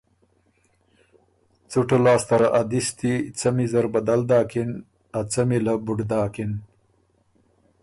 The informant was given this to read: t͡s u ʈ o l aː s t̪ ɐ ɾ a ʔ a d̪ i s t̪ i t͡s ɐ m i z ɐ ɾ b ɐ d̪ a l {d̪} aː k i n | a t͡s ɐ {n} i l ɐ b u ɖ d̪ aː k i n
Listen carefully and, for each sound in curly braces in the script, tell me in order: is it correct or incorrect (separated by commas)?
correct, incorrect